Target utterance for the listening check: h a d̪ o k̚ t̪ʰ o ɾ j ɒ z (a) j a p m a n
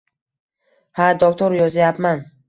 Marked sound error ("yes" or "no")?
no